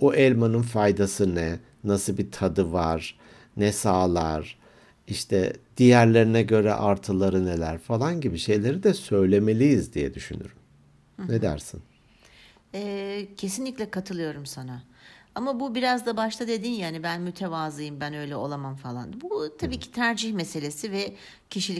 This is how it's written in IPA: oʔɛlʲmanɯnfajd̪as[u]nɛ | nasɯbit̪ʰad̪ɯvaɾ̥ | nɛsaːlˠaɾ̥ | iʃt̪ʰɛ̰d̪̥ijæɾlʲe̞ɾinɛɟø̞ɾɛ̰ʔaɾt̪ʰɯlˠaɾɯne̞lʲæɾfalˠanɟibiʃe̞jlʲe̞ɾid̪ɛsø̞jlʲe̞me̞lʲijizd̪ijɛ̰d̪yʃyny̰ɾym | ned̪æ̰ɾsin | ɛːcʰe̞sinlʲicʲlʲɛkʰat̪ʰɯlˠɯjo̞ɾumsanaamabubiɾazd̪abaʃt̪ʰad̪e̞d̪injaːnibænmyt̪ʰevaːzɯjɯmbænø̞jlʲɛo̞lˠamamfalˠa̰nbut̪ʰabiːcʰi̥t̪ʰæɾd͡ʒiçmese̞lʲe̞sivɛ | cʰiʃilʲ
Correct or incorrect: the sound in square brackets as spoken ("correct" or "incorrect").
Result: incorrect